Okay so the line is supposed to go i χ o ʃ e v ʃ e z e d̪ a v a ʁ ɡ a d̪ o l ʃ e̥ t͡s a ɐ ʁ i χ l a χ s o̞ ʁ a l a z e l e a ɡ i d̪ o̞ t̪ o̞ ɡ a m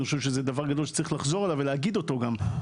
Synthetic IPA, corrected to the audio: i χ o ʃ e v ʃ e z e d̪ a v a ʁ ɡ a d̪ o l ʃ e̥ t͡s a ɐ ʁ i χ l a χ z o̞ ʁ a l a v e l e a ɡ i d̪ o̞ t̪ o̞ ɡ a m